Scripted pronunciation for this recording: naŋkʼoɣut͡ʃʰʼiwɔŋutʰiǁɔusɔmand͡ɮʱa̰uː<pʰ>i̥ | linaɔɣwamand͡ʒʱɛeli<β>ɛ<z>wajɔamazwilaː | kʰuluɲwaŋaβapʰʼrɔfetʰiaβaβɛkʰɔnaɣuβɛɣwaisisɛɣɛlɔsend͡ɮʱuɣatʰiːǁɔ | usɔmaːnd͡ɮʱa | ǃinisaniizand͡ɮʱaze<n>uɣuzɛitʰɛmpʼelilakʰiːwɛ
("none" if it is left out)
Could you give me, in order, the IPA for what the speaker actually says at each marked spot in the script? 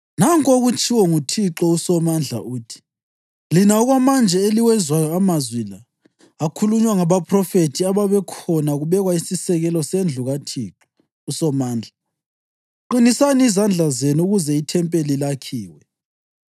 tʰ, w, z, n

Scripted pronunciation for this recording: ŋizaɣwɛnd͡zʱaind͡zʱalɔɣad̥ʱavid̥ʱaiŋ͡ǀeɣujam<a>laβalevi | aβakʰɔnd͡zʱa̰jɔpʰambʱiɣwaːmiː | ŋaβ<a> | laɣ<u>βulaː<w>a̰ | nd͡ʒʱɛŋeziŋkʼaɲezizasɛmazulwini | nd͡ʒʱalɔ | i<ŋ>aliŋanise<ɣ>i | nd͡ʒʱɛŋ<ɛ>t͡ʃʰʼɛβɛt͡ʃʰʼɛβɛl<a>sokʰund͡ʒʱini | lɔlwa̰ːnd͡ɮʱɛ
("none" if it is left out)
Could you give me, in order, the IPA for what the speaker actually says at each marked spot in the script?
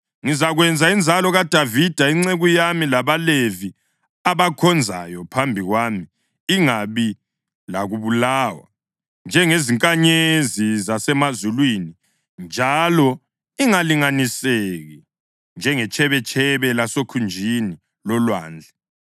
i, i, u, w, ŋ, ɣ, ɛ, a

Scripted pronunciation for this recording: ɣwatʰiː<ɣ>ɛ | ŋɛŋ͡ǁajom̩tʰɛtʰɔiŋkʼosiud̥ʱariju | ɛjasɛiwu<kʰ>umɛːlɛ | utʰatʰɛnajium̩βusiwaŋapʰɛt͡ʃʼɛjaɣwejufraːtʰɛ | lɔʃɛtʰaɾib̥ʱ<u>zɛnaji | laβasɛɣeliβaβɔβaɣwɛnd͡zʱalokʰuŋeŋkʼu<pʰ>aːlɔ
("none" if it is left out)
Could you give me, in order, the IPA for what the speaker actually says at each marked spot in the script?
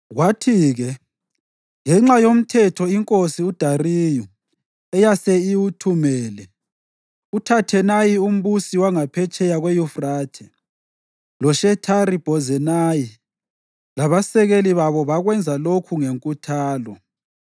ɣ, tʰ, ɔ, tʰ

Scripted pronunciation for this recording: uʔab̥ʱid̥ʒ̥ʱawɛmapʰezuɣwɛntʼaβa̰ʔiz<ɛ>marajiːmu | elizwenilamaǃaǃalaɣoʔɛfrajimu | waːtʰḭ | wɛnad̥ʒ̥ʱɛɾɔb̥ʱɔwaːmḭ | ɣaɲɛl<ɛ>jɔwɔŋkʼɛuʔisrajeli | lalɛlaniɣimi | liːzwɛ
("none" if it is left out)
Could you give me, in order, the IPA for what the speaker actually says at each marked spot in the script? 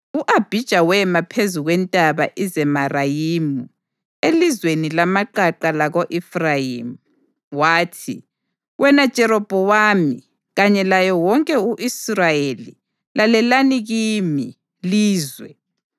ɛ, a

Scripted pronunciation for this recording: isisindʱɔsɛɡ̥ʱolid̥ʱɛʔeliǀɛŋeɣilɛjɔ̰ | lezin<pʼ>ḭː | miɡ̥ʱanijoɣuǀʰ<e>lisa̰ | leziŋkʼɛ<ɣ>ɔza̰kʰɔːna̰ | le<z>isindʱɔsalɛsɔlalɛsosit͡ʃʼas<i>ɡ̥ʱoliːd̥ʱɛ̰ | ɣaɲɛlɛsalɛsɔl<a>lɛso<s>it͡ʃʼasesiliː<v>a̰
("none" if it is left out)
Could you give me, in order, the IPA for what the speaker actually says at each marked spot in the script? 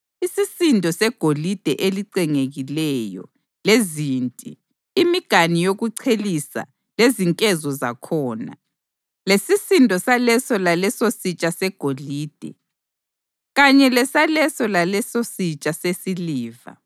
tʼ, e, z, s, ɛ, a, s, v

